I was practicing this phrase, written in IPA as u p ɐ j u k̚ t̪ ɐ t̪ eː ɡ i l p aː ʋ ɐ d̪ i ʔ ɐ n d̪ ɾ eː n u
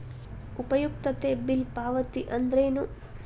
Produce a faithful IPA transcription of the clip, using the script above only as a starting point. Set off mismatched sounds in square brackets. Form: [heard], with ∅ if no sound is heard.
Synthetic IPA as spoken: u p ɐ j u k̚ t̪ ɐ t̪ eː [b] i l p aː ʋ ɐ [t̪] i ʔ ɐ n d̪ ɾ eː n u